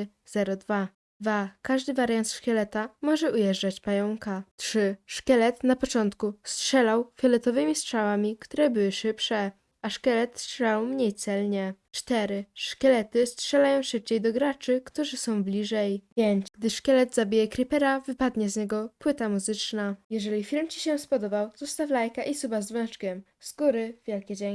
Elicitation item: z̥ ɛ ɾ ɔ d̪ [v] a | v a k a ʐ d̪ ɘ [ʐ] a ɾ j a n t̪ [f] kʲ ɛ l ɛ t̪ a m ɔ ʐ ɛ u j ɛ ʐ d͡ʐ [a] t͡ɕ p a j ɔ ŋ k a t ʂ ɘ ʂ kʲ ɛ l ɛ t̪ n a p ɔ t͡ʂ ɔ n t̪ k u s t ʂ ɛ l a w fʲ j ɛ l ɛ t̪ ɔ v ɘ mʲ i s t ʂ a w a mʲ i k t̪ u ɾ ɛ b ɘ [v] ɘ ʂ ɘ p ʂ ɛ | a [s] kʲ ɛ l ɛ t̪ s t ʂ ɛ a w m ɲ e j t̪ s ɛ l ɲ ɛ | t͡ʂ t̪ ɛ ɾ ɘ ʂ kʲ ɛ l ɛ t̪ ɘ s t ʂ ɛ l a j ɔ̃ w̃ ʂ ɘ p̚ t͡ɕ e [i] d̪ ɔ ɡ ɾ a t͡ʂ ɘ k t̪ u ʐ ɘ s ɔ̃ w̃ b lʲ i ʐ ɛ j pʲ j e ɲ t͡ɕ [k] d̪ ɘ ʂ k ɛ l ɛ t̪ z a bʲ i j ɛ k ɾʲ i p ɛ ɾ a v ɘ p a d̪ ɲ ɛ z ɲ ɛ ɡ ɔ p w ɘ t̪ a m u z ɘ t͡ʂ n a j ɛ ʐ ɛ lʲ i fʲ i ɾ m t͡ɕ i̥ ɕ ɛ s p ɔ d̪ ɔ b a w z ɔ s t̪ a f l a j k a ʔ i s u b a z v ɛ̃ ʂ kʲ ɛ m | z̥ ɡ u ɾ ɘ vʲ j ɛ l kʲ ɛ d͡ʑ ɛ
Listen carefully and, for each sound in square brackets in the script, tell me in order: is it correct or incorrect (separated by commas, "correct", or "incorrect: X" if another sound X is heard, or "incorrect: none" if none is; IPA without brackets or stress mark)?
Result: correct, incorrect: v, incorrect: ʂ, correct, incorrect: w, incorrect: ʂ, incorrect: j, incorrect: ɡ